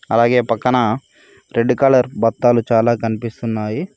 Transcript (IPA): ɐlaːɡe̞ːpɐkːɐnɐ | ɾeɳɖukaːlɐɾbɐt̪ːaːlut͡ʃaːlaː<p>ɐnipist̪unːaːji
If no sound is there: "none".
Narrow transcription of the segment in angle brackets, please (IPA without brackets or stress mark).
k